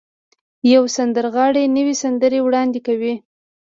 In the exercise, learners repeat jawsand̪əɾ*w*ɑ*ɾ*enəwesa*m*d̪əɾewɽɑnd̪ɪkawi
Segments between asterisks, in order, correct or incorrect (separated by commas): incorrect, incorrect, incorrect